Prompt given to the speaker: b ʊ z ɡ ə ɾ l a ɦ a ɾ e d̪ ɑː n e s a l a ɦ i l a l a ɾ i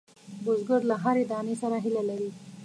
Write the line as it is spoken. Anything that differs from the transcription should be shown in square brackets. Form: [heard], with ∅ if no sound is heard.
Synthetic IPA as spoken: b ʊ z ɡ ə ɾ l a ɦ a ɾ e d̪ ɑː n e s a [ɾ] a ɦ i l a l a ɾ i